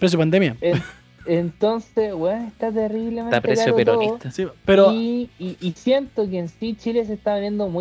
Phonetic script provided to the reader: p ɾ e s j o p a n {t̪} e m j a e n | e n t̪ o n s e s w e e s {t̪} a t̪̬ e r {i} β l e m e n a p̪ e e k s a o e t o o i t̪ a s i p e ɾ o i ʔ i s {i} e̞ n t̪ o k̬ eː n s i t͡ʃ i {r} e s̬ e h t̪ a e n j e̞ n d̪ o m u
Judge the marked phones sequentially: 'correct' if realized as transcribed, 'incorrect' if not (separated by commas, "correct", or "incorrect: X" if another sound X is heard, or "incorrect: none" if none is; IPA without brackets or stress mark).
incorrect: d̪, correct, correct, incorrect: j, incorrect: l